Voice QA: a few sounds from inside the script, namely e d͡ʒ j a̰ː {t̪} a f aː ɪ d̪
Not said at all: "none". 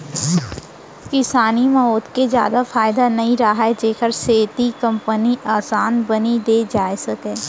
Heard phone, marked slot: d̪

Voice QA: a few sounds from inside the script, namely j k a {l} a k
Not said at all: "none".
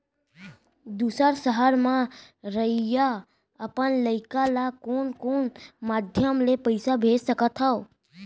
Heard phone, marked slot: l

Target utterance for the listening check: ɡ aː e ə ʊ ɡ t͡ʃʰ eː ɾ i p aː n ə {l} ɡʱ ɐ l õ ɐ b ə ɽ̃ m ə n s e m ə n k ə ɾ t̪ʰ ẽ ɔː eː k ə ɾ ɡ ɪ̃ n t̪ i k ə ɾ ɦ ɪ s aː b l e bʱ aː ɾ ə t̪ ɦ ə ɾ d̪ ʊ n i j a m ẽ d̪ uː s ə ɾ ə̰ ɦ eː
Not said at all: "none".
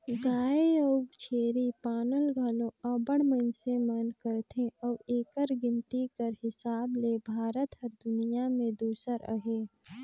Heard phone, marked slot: l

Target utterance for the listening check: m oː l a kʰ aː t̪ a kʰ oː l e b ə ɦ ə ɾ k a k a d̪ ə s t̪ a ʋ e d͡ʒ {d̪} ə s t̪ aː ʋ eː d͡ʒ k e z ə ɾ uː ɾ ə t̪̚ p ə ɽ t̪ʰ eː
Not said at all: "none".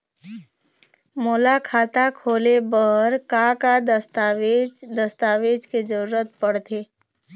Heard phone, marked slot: d̪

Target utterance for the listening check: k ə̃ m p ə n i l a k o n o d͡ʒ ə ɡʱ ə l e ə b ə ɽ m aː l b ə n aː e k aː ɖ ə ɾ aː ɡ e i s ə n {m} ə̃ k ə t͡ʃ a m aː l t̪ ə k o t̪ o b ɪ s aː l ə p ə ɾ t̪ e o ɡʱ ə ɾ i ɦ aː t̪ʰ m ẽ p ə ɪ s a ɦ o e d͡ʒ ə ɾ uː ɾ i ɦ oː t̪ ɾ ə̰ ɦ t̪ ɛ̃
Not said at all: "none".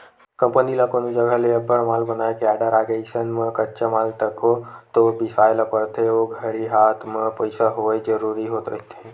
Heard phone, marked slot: m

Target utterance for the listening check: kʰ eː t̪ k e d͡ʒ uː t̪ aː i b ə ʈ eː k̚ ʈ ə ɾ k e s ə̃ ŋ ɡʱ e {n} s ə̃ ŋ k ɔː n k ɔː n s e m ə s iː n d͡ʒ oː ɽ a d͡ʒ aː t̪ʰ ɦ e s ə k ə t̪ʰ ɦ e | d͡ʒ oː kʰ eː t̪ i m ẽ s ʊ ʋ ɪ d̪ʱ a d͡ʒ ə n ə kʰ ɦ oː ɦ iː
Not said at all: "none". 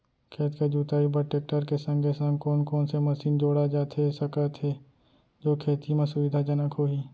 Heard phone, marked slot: none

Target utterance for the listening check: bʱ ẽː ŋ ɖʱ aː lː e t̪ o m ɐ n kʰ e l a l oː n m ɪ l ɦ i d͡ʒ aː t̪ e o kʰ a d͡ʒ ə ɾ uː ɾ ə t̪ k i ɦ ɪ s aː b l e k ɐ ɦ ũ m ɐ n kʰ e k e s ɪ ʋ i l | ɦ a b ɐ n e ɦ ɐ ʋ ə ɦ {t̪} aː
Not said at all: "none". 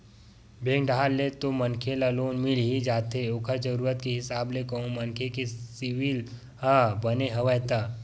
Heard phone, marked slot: t̪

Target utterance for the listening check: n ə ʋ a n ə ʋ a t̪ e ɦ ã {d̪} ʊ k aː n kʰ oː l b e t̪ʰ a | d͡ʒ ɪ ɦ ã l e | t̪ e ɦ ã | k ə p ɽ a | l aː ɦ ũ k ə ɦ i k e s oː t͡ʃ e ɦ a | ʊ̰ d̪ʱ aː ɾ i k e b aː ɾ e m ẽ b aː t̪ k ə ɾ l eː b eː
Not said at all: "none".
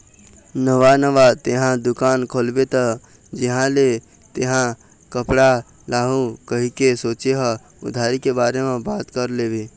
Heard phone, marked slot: d̪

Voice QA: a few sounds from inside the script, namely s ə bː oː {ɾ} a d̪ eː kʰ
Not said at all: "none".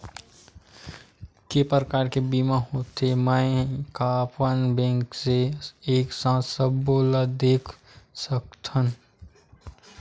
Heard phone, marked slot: l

